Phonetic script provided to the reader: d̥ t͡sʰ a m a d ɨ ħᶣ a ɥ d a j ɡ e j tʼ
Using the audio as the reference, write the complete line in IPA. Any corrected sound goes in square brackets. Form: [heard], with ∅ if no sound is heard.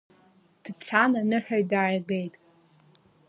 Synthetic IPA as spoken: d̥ t͡sʰ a [n] a [n] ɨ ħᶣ a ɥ d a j ɡ e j tʼ